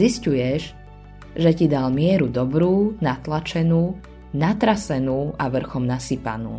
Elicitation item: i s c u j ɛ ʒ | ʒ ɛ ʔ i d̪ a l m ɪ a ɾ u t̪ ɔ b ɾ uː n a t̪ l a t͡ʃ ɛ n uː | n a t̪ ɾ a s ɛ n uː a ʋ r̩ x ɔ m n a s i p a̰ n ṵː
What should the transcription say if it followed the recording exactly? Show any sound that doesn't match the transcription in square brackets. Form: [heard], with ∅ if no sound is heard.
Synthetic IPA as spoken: i s c u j ɛ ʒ | ʒ ɛ [c] i d̪ a l m ɪ [ɛ] ɾ u [d̪] ɔ b ɾ uː n a t̪ l a t͡ʃ ɛ n uː | n a t̪ ɾ a s ɛ n uː a ʋ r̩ x ɔ m n a s i p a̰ n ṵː